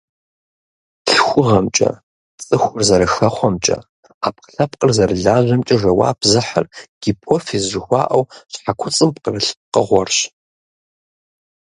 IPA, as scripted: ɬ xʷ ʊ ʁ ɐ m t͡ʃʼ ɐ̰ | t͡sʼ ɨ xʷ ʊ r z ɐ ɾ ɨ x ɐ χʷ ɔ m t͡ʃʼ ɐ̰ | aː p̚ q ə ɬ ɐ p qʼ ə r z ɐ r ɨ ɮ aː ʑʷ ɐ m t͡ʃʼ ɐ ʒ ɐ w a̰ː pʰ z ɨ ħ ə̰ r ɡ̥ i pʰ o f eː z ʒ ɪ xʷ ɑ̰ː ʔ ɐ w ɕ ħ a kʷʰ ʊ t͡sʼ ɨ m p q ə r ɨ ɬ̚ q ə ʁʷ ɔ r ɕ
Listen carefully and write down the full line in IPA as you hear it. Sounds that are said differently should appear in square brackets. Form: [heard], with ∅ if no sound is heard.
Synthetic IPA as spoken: ɬ xʷ ʊ ʁ ɐ m t͡ʃʼ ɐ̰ | t͡sʼ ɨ xʷ ʊ r z ɐ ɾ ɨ x ɐ χʷ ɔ m t͡ʃʼ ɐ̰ | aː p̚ q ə ɬ ɐ p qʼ ə r z ɐ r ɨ ɮ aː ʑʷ ɐ m t͡ʃʼ ɐ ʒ ɐ w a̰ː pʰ z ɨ ħ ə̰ r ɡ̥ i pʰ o f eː z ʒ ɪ xʷ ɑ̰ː ʔ ɐ w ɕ ħ a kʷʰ ʊ t͡sʼ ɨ m p q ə r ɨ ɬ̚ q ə ʁʷ ɔ r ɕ